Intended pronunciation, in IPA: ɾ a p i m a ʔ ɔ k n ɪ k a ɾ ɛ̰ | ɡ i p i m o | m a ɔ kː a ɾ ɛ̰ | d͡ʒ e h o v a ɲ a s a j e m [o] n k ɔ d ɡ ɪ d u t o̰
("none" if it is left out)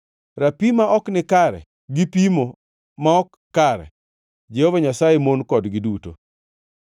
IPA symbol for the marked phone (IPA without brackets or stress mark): o